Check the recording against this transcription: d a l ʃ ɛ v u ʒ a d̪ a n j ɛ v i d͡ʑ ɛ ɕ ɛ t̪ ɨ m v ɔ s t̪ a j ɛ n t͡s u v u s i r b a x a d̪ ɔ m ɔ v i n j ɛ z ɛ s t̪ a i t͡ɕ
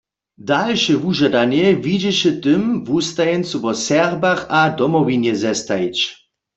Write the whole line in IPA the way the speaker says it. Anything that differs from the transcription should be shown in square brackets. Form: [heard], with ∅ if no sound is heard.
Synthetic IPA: d a l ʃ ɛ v u ʒ a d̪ a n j ɛ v i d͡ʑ ɛ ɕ ɛ t̪ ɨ m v [u] s t̪ a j ɛ n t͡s u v [ɔ] s [ɛ] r b a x a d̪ ɔ m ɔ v i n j ɛ z ɛ s t̪ a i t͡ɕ